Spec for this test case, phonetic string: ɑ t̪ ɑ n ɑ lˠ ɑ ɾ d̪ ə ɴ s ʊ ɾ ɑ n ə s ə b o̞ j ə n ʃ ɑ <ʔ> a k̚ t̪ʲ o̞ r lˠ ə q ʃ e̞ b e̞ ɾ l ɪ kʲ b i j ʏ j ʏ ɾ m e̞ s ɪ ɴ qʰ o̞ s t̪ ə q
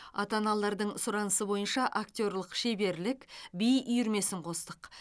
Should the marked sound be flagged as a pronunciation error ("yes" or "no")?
no